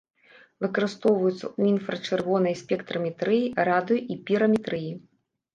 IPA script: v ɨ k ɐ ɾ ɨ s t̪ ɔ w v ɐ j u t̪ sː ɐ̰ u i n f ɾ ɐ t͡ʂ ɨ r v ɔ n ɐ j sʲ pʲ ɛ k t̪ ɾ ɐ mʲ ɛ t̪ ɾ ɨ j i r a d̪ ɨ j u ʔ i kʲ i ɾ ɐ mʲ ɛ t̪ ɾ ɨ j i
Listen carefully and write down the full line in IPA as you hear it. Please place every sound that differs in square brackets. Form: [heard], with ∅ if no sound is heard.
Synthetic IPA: v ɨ k ɐ ɾ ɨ s t̪ ɔ w v ɐ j u t̪ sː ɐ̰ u i n f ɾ ɐ t͡ʂ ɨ r v ɔ n ɐ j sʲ pʲ ɛ k t̪ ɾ ɐ mʲ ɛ t̪ ɾ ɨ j i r a d̪ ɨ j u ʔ i [pʲ] i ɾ ɐ mʲ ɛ t̪ ɾ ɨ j i